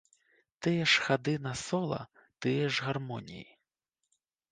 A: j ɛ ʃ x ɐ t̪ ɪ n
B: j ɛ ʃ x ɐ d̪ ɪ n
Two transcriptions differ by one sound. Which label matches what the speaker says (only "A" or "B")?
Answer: B